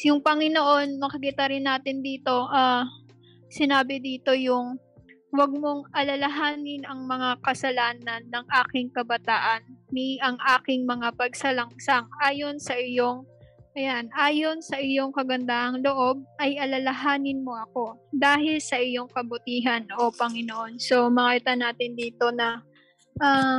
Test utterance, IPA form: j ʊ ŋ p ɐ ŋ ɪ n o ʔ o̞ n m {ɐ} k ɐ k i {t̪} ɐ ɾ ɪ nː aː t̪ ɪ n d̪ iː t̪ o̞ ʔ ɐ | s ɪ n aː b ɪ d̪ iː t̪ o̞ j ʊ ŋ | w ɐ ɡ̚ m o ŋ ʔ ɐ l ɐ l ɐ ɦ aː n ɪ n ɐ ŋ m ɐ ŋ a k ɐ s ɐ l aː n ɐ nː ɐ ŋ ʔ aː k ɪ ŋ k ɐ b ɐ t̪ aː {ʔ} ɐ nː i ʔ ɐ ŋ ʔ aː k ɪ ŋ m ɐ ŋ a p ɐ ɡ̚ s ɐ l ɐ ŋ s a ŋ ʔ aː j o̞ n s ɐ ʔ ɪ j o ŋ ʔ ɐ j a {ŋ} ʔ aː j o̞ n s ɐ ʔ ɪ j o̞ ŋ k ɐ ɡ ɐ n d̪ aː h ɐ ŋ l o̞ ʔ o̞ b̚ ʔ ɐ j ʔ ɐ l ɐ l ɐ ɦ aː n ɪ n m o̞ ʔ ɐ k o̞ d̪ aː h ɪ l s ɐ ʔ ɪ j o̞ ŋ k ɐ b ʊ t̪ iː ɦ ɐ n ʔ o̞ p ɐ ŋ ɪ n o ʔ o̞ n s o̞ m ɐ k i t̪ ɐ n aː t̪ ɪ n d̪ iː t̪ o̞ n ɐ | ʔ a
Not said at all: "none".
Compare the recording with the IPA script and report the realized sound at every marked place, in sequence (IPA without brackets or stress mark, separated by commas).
ɐ, t̪, ʔ, n